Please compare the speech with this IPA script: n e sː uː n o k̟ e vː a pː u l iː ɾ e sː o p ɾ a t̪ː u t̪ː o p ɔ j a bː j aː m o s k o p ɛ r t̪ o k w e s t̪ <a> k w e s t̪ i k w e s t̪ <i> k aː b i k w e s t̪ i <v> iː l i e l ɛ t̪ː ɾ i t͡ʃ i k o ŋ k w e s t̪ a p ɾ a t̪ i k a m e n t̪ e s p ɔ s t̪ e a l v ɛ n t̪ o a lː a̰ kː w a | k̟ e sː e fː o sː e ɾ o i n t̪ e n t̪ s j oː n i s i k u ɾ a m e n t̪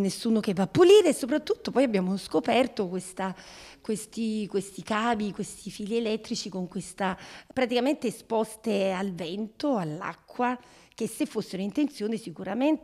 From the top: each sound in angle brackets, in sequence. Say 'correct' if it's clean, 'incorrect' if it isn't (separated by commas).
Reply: correct, correct, incorrect